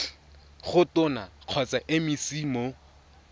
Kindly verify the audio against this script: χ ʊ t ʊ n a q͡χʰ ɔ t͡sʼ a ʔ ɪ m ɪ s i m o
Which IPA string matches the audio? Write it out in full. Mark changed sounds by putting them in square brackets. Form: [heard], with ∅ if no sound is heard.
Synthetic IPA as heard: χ ʊ t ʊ n a q͡χʰ ɔ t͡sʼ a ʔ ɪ m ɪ s i m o